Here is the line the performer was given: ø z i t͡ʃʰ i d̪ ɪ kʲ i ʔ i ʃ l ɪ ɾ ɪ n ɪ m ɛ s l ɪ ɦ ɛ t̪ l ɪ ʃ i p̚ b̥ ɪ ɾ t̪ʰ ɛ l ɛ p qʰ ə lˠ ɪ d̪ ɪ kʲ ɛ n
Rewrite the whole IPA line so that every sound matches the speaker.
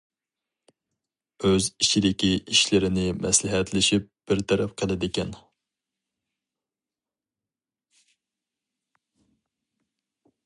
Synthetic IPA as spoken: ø z i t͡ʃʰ i d̪ ɪ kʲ i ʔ i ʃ l ɪ ɾ ɪ n ɪ m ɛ s l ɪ ɦ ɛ t̪ l ɪ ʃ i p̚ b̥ ɪ ɾ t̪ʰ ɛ ɾ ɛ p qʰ ə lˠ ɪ d̪ ɪ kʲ ɛ n